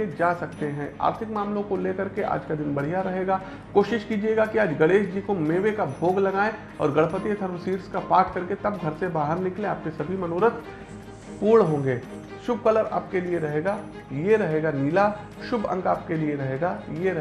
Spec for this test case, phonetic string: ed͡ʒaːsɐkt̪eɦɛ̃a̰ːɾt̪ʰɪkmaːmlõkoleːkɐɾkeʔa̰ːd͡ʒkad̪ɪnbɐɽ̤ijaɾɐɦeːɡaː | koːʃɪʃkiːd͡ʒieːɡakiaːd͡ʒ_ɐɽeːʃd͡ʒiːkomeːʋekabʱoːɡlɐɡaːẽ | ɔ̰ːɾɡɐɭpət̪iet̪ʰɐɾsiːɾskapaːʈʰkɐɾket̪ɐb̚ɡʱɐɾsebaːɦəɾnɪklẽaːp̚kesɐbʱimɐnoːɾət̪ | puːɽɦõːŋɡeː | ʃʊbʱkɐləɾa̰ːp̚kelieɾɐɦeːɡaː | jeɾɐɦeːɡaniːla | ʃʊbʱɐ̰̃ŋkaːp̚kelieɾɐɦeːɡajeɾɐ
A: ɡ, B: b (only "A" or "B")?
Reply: A